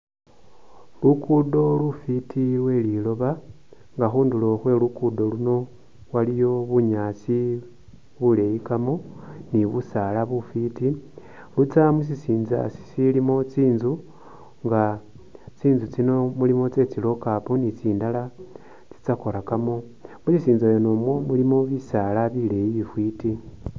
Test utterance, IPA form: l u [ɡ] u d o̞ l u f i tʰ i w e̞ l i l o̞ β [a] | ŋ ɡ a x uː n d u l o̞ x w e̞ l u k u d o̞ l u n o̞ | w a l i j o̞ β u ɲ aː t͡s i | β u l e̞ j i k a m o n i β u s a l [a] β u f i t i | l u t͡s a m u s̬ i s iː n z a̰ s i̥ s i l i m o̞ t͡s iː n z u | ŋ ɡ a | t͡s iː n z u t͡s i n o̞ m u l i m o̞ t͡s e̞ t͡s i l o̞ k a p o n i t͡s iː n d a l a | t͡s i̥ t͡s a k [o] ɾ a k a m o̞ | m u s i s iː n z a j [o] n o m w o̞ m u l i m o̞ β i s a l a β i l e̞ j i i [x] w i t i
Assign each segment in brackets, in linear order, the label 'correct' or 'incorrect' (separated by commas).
incorrect, correct, correct, correct, correct, incorrect